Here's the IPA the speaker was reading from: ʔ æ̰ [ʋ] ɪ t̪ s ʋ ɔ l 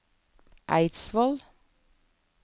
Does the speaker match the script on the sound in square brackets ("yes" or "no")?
no